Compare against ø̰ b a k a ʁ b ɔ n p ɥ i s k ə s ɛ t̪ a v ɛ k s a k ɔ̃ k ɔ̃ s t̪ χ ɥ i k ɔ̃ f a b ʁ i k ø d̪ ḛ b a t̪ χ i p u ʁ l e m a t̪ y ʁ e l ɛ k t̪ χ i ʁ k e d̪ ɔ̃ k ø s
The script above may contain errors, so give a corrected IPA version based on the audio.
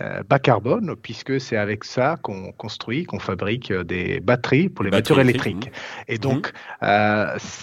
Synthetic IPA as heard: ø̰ b a k a ʁ b ɔ n p ɥ i s k ə s ɛ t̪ a v ɛ k s a k ɔ̃ k ɔ̃ s t̪ χ ɥ i k ɔ̃ f a b ʁ i k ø d̪ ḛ b a t̪ χ i p u ʁ l e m a t̪ y ʁ e l ɛ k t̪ χ i k e d̪ ɔ̃ k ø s